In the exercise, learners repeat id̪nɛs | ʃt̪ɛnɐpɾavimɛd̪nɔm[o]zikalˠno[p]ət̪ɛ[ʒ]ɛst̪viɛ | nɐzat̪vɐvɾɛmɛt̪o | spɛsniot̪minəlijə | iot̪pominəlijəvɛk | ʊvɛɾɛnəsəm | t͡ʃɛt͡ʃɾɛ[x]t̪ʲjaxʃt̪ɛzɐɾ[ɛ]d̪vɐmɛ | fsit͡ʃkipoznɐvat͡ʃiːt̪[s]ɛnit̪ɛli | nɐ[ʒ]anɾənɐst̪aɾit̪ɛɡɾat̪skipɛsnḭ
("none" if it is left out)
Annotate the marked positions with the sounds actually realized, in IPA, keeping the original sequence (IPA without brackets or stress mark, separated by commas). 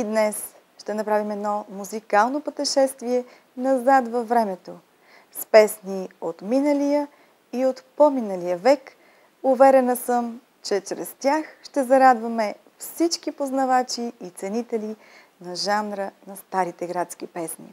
u, p, ʃ, s, a, s, ʒ